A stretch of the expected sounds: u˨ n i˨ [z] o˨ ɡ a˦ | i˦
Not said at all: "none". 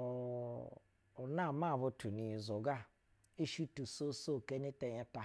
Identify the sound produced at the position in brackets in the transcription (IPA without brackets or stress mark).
z